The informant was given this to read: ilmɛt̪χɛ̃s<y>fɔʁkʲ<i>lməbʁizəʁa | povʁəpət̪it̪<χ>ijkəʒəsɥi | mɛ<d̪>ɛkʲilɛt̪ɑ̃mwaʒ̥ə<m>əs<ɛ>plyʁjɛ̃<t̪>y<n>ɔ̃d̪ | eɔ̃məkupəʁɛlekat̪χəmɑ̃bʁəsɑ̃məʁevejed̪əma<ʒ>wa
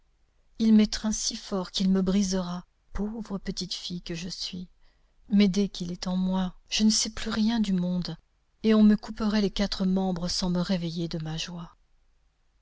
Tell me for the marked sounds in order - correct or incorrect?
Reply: incorrect, correct, incorrect, correct, incorrect, correct, incorrect, incorrect, correct

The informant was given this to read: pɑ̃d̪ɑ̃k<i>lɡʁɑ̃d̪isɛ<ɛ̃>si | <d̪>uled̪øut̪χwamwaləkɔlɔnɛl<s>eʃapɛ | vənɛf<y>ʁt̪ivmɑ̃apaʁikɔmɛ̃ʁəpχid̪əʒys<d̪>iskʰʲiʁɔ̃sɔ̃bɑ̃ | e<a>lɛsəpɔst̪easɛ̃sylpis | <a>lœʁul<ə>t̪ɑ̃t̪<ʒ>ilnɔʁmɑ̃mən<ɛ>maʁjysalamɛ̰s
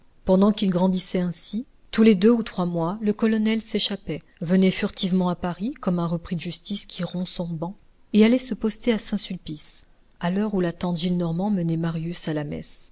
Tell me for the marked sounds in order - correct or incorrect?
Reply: correct, correct, incorrect, correct, correct, incorrect, correct, correct, incorrect, correct, correct

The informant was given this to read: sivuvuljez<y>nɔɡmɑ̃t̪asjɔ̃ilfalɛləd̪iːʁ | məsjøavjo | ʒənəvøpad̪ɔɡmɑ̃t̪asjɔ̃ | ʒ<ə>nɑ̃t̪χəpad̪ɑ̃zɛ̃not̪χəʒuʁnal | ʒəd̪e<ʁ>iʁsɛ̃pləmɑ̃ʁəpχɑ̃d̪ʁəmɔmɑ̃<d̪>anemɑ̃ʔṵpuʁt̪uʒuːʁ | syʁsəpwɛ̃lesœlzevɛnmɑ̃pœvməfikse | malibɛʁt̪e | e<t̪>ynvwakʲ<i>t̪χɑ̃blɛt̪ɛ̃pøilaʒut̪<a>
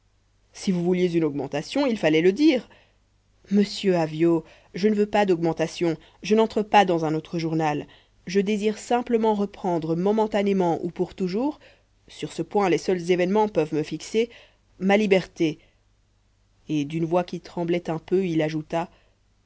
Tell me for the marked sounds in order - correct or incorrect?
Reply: correct, correct, incorrect, incorrect, incorrect, correct, correct

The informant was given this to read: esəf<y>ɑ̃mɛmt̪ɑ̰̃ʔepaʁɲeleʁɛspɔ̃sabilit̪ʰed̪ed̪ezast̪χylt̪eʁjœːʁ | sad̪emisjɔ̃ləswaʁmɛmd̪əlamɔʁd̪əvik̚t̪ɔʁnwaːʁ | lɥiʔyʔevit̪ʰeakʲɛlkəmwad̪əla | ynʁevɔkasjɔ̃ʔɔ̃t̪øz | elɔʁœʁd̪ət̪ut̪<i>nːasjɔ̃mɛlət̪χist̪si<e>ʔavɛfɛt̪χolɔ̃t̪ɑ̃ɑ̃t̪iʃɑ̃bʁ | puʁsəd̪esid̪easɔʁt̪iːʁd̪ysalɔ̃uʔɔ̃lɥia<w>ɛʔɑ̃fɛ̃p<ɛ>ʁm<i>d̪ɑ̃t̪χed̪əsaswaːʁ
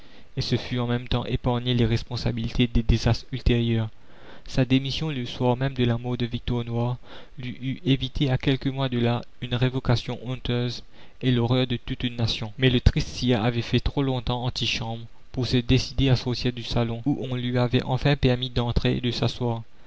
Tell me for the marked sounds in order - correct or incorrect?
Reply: correct, incorrect, incorrect, incorrect, correct, correct

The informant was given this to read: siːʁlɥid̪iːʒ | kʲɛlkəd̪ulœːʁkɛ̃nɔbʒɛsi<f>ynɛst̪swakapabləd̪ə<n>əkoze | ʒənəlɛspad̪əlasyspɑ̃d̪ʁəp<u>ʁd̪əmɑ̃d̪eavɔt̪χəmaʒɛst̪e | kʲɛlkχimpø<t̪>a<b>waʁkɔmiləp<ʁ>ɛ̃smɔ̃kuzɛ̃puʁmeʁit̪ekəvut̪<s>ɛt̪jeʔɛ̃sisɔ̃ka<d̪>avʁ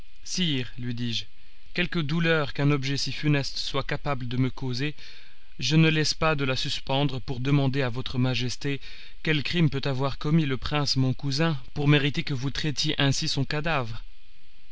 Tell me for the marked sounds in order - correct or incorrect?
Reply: correct, incorrect, correct, correct, incorrect, incorrect, incorrect, correct

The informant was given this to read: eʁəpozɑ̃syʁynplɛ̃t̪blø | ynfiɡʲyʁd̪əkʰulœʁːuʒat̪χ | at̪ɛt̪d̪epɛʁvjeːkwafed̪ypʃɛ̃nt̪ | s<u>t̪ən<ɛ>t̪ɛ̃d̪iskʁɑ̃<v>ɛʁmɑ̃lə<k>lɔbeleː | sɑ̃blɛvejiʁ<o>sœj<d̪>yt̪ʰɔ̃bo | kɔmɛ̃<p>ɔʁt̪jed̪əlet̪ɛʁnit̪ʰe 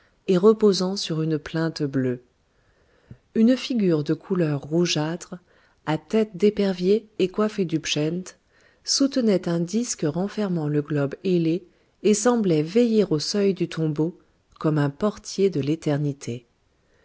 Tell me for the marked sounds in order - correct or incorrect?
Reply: correct, correct, incorrect, incorrect, correct, correct, correct

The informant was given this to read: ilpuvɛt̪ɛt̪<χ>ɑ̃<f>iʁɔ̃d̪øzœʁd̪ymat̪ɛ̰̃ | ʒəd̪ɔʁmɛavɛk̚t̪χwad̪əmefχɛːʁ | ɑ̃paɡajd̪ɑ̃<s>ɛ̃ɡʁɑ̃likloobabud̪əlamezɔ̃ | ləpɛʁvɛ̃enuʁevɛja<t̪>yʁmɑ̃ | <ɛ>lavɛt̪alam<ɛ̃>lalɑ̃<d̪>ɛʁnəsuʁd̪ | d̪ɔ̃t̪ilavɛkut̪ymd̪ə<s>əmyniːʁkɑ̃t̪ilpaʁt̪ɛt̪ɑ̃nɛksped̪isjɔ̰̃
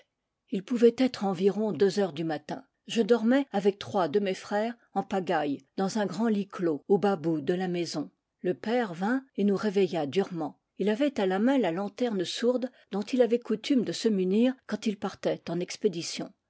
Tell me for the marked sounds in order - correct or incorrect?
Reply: correct, incorrect, incorrect, incorrect, incorrect, correct, incorrect, correct

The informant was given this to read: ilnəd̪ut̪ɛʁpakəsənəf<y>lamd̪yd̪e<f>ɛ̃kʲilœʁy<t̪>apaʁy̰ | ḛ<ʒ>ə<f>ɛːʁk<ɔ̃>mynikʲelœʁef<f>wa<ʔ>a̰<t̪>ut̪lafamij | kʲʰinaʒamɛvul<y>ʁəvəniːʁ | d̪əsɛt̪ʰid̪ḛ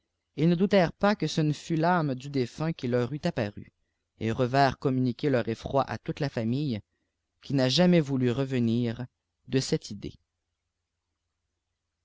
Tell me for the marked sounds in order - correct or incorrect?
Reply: correct, correct, correct, incorrect, incorrect, incorrect, incorrect, correct, correct, correct

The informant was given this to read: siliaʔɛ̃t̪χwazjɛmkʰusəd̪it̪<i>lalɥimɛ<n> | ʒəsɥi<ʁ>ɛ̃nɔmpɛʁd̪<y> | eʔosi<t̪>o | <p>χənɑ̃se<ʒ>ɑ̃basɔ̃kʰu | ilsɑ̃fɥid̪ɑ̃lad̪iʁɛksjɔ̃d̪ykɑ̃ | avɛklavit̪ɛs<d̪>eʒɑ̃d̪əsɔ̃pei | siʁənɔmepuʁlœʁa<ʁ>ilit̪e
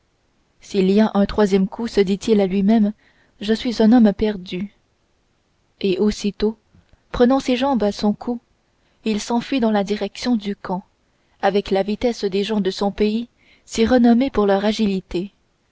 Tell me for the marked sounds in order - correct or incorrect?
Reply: correct, incorrect, incorrect, correct, correct, correct, correct, correct, incorrect

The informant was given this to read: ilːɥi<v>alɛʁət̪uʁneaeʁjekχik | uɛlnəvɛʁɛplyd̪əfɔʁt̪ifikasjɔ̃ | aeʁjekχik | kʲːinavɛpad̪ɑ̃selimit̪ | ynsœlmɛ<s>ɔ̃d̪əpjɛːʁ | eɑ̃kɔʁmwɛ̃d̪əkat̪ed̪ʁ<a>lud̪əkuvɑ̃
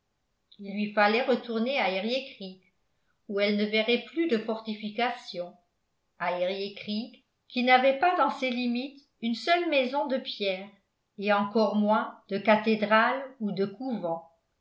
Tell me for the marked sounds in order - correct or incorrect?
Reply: incorrect, incorrect, correct

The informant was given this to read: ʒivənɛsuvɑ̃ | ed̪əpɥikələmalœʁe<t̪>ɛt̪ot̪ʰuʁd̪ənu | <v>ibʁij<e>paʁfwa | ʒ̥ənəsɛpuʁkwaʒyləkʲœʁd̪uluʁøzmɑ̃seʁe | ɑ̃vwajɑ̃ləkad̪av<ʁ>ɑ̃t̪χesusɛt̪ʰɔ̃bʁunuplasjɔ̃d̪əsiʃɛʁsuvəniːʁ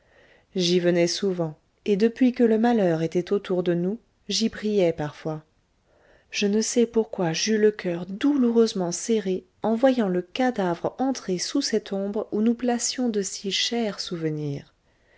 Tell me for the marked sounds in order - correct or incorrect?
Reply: correct, incorrect, incorrect, correct

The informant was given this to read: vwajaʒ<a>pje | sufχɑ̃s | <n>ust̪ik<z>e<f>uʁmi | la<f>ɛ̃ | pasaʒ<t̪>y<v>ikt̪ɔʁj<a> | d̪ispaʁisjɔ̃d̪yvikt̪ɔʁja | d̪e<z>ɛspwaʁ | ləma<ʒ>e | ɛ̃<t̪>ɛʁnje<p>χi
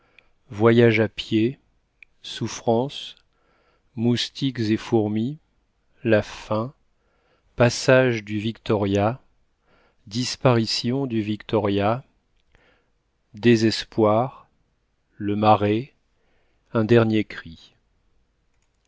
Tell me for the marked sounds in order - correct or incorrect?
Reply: correct, incorrect, correct, correct, correct, incorrect, correct, correct, correct, incorrect, incorrect, incorrect

